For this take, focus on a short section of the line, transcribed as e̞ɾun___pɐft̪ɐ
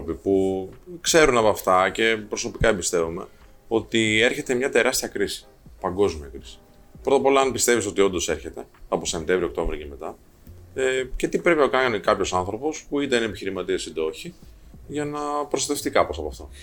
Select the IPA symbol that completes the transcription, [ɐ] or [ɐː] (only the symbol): ɐ